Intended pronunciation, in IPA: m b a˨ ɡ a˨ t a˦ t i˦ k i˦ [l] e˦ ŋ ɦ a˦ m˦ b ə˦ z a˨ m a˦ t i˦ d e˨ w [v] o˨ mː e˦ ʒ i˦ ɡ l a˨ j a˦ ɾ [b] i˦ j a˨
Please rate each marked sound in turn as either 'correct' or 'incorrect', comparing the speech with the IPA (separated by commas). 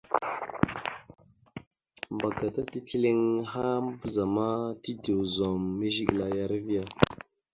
correct, incorrect, incorrect